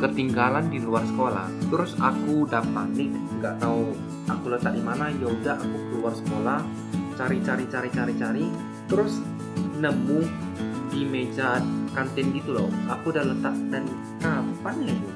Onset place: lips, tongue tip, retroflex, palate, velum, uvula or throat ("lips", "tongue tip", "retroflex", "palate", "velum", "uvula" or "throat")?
velum